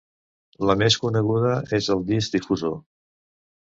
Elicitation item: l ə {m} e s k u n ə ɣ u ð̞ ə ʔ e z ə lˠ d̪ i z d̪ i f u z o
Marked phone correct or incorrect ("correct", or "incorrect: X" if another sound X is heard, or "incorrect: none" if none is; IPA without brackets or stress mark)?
correct